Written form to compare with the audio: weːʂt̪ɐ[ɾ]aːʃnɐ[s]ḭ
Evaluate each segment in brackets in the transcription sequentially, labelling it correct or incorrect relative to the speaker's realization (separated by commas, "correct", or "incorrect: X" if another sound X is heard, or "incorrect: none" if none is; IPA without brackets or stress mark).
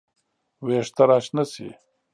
correct, correct